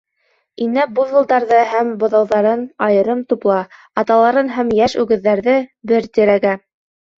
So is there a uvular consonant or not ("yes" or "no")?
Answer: no